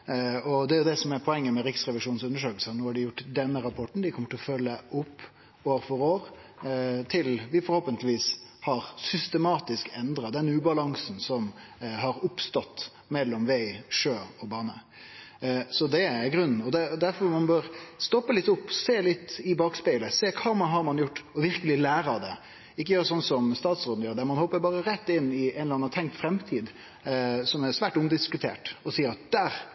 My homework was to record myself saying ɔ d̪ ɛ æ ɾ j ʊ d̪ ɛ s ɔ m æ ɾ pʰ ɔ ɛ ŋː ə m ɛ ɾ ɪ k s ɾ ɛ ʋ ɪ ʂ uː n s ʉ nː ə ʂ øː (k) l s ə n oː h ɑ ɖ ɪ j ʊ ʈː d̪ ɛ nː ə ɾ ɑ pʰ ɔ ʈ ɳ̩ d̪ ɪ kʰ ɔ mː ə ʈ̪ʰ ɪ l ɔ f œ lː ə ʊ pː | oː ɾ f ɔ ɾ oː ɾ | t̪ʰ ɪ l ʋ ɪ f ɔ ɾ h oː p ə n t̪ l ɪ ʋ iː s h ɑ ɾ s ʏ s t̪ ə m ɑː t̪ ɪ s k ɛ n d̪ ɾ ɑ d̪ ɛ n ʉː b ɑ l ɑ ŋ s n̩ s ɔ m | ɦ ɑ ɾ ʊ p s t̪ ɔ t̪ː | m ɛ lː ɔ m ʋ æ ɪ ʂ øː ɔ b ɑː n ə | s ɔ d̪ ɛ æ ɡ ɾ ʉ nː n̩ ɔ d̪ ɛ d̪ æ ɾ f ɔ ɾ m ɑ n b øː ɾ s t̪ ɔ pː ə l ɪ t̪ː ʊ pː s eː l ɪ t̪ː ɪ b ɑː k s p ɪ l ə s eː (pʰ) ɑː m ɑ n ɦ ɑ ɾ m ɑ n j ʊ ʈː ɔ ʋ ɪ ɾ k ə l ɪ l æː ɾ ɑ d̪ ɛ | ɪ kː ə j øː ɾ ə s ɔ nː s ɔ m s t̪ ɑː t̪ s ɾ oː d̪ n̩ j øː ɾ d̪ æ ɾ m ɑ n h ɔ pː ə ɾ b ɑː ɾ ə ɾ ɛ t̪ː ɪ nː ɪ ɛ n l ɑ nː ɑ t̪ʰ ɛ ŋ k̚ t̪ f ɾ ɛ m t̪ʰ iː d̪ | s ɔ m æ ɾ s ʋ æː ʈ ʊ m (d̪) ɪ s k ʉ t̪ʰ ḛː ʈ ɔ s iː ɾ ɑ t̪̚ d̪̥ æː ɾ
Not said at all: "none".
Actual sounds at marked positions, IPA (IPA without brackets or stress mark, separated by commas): k, kʰ, d̪